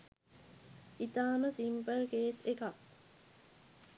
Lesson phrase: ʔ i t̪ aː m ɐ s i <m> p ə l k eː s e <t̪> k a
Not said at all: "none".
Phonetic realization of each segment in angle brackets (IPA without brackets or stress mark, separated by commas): m, none